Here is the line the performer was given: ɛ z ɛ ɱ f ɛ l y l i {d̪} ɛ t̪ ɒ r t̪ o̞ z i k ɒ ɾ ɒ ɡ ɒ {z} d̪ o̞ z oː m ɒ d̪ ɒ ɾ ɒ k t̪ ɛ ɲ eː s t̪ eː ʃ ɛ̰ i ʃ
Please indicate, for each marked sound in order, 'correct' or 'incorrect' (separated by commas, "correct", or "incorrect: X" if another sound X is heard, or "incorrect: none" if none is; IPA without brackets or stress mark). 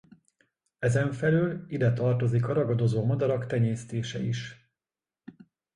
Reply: correct, incorrect: none